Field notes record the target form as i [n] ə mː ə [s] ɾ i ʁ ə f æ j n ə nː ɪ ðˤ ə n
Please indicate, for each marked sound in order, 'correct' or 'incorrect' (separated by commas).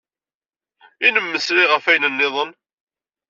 correct, correct